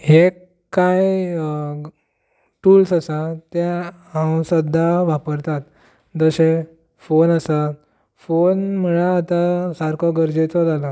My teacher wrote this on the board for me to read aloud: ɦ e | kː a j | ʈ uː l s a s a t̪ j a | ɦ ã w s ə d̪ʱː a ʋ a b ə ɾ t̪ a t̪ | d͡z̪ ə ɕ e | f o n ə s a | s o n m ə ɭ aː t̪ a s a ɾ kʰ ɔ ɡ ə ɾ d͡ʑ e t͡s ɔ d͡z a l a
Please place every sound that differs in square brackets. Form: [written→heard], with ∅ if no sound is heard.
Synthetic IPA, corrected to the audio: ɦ e | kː a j | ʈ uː l s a s a t̪ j a | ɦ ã w s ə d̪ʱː a ʋ a [b→p] ə ɾ t̪ a t̪ | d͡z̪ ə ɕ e | f o n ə s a | [s→f] o n m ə ɭ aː t̪ a s a ɾ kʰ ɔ ɡ ə ɾ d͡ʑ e t͡s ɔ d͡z a l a

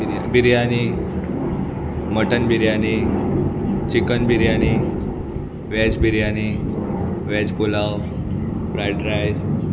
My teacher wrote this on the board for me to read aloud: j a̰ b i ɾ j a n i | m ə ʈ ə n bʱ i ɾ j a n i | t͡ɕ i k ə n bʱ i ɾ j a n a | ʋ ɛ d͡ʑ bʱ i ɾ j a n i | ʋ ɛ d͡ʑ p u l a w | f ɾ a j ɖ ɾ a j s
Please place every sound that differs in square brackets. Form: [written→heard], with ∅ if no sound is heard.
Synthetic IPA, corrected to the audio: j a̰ b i ɾ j a n i | m ə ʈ ə n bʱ i ɾ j a n i | t͡ɕ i k ə n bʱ i ɾ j a n [a→i] | ʋ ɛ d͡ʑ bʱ i ɾ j a n i | ʋ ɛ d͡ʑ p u l a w | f ɾ a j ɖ ɾ a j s

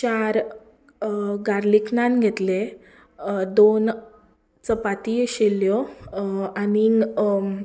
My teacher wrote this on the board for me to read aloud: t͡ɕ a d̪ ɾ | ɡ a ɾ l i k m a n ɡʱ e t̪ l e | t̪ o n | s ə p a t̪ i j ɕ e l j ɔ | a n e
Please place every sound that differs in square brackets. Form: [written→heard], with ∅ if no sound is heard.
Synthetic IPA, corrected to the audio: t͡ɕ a [d̪→∅] ɾ | ɡ a ɾ l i k [m→n] a n ɡʱ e t̪ l e | [t̪→d̪] o n | [s→t͡s] ə p a t̪ i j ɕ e l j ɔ | a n [e→i]

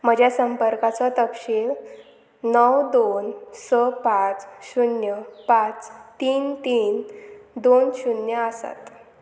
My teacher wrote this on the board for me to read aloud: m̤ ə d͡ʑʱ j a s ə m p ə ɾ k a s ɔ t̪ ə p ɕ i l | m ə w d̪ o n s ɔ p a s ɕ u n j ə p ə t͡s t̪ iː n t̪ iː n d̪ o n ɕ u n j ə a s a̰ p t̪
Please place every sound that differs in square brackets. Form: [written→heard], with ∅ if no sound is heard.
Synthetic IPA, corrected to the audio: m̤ ə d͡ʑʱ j a s ə m p ə ɾ k a [s→t͡s] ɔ t̪ ə p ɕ i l | [m→n] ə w d̪ o n s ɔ p a [s→t͡s] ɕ u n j ə p [ə→a] t͡s t̪ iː n t̪ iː n d̪ o n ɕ u n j ə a s a̰ [p→∅] t̪

